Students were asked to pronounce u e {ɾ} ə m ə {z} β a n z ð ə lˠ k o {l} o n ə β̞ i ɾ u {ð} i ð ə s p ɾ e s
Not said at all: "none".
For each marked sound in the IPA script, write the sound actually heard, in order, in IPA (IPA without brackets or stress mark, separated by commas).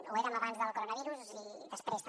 ɾ, none, ɾ, z